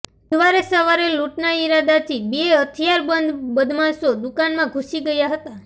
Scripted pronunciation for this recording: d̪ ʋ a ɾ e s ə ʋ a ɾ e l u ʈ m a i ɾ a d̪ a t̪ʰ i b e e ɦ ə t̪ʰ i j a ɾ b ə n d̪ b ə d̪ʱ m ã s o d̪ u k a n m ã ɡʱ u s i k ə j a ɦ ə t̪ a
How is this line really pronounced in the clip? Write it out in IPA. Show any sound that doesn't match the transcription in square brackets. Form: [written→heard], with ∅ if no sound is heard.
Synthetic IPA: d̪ ʋ a ɾ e s ə ʋ a ɾ e l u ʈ [m→n] a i ɾ a d̪ a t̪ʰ i b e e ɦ ə t̪ʰ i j a ɾ b ə n d̪ b ə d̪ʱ m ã s o d̪ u k a n m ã ɡʱ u s i [k→ɡ] ə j a ɦ ə t̪ a